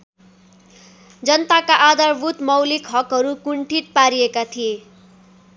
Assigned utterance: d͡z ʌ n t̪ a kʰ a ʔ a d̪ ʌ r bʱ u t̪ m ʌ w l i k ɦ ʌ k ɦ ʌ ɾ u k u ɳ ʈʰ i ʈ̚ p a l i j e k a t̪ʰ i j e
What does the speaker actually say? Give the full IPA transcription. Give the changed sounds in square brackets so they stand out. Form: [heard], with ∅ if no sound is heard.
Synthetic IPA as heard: d͡z ʌ n t̪ a [k] a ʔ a d̪ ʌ r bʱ u t̪ m ʌ w l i k ɦ ʌ k ɦ ʌ ɾ u k u ɳ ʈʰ i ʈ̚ p a [ɾ] i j e k a t̪ʰ i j e